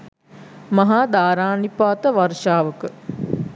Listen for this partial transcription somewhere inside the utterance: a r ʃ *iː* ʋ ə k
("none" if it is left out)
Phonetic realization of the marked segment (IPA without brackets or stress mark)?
aː